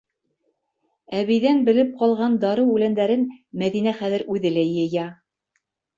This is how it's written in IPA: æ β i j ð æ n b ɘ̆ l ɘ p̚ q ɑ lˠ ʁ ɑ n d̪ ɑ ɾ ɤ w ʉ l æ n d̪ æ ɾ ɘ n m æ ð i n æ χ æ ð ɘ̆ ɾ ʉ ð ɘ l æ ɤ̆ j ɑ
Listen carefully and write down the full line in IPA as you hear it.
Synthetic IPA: æ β i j ð æ n b ɘ̆ l ɘ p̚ q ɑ lˠ ʁ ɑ n d̪ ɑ ɾ ɤ w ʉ l æ n d̪ æ ɾ ɘ n m æ ð i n æ χ æ ð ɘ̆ ɾ ʉ ð ɘ l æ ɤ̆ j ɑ